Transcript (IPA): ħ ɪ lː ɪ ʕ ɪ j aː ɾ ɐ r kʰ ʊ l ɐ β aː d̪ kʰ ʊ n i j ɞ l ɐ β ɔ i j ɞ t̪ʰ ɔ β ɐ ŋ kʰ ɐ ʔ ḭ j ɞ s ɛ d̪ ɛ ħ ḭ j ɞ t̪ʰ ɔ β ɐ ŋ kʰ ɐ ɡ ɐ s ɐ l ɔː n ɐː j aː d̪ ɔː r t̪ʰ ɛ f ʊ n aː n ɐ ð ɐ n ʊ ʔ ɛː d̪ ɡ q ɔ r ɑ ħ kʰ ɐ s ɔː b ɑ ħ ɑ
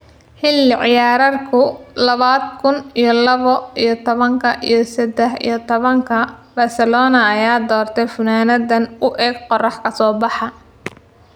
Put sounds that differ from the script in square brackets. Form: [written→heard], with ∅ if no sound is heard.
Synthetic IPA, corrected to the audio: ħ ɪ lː ɪ ʕ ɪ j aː ɾ ɐ r kʰ ʊ l ɐ β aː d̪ kʰ ʊ n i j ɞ l ɐ β ɔ i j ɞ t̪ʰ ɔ β ɐ ŋ kʰ ɐ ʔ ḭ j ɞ s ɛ d̪ ɛ ħ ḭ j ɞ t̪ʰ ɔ β ɐ ŋ kʰ ɐ [ɡ→b] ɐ s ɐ l ɔː n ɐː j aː d̪ ɔː r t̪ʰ ɛ f ʊ n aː n ɐ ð ɐ n ʊ ʔ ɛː [d̪→∅] ɡ q ɔ r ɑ ħ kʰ ɐ s ɔː b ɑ ħ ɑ